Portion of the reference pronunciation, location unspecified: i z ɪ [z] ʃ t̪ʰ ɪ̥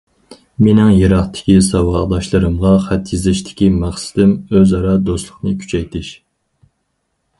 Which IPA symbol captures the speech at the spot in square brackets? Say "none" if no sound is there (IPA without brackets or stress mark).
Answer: none